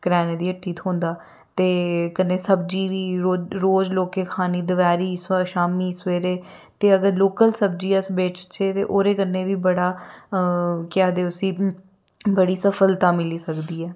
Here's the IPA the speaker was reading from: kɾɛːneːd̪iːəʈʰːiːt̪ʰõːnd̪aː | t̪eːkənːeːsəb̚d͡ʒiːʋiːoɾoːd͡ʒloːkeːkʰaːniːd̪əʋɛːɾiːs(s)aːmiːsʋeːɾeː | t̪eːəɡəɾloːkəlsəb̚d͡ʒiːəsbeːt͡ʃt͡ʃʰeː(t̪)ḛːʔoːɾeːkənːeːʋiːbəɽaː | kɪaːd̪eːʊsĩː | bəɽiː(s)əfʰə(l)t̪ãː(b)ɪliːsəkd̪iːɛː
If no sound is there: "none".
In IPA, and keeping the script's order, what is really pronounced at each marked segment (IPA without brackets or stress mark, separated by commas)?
ʃ, t̪, s, l, m